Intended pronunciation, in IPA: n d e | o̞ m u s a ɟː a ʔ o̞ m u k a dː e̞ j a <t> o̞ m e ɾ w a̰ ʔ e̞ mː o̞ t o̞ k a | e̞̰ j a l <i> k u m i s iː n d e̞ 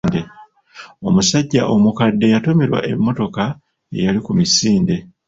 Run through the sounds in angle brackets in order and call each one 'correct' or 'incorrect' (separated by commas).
correct, correct